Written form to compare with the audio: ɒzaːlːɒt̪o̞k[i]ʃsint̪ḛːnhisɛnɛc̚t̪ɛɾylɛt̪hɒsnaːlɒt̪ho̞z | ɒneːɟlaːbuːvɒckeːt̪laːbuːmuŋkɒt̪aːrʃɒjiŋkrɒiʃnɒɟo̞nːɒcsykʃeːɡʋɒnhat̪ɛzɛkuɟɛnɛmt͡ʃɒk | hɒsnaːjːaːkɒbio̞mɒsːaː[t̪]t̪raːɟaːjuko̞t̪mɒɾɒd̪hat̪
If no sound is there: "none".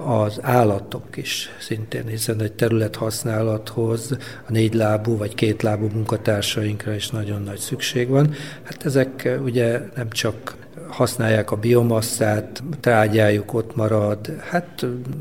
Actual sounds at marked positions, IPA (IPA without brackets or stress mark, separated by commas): i, t̪